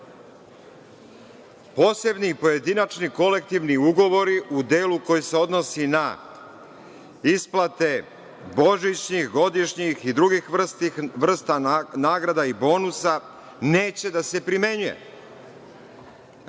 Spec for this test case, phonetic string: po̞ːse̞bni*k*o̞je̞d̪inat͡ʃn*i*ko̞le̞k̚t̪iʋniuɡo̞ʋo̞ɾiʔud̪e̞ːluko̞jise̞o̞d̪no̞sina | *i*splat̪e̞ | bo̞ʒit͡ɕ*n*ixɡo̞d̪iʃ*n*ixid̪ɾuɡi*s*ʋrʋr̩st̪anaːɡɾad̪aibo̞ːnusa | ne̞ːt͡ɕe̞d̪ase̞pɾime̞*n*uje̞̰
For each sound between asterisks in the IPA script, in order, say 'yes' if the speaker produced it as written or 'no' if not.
no, yes, yes, no, no, no, no

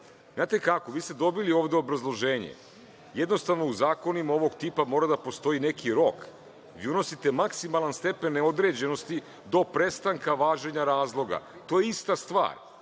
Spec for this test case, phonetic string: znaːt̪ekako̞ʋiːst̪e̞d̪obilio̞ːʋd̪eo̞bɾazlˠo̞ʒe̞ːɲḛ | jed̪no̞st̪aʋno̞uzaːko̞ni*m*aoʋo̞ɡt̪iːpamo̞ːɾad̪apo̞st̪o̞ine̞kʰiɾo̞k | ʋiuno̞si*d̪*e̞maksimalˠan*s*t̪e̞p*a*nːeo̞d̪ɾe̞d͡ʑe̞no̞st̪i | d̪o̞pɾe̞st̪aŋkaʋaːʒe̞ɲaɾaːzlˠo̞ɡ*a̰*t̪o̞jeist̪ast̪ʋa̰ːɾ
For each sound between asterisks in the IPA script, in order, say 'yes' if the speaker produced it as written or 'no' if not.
yes, no, yes, no, yes

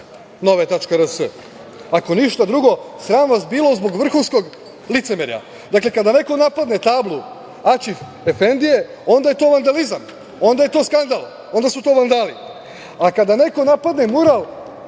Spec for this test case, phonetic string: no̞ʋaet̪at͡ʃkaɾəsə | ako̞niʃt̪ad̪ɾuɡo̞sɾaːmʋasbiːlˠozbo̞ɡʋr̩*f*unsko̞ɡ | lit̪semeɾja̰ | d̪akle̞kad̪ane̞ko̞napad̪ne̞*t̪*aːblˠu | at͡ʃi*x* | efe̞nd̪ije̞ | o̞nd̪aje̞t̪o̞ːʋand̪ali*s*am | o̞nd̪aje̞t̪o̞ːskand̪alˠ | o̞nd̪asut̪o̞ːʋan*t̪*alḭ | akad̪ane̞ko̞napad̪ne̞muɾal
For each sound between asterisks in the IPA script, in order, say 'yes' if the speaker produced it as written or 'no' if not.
no, yes, no, no, no

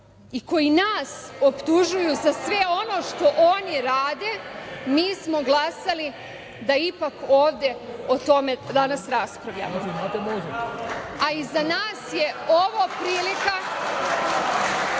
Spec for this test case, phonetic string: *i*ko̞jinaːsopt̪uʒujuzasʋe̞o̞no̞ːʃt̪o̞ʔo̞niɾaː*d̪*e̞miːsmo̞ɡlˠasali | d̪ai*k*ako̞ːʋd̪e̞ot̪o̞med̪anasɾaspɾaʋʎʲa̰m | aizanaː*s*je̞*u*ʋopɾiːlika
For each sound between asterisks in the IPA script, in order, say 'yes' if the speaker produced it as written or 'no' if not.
yes, yes, no, yes, no

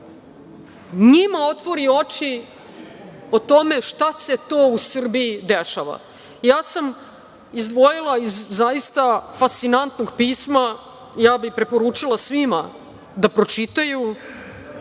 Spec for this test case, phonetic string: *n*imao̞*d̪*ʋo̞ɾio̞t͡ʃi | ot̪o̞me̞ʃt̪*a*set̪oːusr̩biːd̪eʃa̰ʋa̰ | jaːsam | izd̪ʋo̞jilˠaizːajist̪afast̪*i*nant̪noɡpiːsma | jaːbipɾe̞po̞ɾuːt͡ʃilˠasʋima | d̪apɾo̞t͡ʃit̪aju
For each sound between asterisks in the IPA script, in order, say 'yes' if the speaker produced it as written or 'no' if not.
no, no, yes, yes

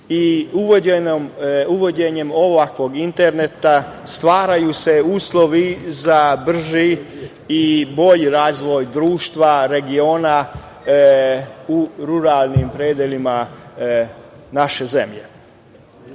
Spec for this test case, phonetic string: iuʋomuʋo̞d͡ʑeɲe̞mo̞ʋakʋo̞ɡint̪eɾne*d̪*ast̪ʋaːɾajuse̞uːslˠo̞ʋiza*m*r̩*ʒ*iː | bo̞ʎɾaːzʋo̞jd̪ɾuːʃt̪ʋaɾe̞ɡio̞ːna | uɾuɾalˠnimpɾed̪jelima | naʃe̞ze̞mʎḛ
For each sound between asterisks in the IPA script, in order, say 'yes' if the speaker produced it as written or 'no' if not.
no, no, yes

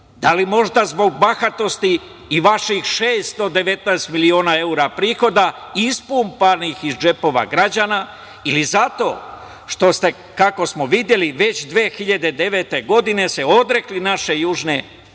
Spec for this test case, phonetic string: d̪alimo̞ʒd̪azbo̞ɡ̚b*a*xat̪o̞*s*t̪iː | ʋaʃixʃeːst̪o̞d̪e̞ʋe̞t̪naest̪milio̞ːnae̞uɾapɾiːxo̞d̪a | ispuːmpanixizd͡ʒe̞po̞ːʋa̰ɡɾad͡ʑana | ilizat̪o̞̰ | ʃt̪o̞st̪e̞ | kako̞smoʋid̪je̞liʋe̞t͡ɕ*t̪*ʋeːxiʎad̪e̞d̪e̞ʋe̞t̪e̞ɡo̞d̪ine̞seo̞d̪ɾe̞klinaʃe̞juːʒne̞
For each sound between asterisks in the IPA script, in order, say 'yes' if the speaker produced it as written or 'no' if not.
yes, yes, no

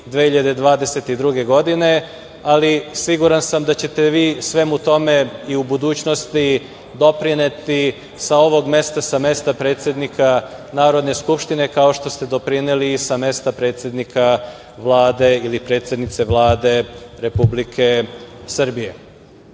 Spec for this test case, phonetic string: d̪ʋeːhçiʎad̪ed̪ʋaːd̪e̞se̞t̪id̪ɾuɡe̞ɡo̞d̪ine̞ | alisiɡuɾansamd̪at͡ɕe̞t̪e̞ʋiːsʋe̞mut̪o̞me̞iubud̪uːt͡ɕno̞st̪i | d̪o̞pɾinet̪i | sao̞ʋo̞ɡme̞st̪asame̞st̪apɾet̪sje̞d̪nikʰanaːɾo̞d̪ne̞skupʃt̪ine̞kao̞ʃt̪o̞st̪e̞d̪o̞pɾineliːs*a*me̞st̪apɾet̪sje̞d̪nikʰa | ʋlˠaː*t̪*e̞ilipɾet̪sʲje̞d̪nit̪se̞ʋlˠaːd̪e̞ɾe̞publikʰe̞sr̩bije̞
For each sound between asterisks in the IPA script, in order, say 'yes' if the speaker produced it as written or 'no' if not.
yes, no

